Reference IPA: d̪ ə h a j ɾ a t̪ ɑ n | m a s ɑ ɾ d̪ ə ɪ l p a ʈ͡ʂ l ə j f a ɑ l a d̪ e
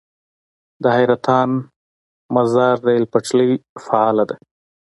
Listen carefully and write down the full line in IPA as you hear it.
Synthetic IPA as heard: d̪ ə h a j ɾ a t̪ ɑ n | m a z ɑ ɾ d̪ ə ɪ l p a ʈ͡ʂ l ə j f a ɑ l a d̪ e